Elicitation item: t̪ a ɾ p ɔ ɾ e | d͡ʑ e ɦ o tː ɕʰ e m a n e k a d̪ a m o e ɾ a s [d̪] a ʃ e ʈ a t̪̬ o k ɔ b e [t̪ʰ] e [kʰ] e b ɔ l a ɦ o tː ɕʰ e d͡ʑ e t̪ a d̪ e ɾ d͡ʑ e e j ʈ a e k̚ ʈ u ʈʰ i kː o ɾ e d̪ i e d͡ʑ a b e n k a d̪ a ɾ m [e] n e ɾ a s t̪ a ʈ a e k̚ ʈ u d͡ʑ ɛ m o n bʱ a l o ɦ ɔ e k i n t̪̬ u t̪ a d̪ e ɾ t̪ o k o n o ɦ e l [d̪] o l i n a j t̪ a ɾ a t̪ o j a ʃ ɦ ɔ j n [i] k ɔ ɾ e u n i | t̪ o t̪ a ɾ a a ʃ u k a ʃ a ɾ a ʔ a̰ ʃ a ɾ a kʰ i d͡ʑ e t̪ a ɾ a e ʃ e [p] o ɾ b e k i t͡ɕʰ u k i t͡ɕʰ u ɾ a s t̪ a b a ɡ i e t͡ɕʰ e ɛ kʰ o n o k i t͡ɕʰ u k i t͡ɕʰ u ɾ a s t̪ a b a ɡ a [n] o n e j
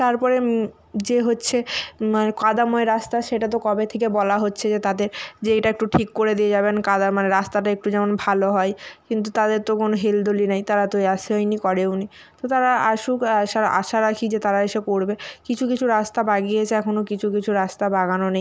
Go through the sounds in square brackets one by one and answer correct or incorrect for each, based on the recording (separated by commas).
incorrect, correct, incorrect, incorrect, correct, correct, incorrect, correct